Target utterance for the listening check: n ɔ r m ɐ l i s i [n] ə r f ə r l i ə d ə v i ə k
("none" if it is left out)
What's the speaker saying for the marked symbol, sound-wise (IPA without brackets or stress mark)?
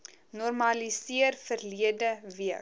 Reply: none